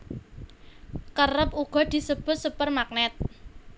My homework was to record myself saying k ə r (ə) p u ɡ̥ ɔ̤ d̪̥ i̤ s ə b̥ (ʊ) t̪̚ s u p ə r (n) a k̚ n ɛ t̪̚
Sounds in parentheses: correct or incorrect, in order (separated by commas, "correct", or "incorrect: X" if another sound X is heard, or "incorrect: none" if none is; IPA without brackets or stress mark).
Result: correct, correct, incorrect: m